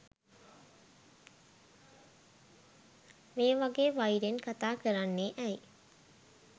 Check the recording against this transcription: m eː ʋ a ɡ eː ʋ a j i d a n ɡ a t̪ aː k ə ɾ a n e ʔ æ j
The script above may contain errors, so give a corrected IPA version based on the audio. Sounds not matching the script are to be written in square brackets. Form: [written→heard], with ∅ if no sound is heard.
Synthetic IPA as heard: m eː ʋ a ɡ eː ʋ a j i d [a→e] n [ɡ→k] a t̪ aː k ə ɾ a [n→nː] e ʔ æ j